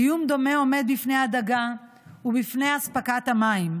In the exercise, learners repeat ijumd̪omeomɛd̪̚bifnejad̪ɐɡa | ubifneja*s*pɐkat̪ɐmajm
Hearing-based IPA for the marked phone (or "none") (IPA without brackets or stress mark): s